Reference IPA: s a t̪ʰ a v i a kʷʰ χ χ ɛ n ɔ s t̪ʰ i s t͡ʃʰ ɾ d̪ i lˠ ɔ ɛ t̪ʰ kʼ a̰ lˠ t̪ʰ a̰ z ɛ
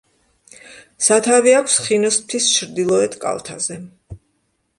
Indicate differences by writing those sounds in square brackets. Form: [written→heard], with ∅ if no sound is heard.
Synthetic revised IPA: s a t̪ʰ a v i a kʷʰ [χ→s] χ [ɛ→i] n ɔ s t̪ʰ i s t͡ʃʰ ɾ d̪ i lˠ ɔ ɛ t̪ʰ kʼ a̰ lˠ t̪ʰ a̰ z ɛ